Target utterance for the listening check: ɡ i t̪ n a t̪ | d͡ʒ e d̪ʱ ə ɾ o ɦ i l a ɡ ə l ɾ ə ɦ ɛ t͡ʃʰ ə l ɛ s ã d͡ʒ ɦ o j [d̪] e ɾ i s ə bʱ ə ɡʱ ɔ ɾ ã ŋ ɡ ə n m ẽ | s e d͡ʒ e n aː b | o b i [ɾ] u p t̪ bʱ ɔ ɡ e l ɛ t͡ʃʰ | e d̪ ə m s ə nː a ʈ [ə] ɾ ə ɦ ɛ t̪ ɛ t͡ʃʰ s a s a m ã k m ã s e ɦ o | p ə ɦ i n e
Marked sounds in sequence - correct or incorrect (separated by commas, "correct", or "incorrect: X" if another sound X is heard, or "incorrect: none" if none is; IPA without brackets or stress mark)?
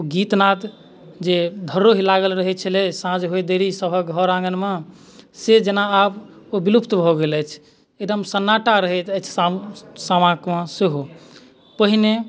correct, incorrect: l, incorrect: a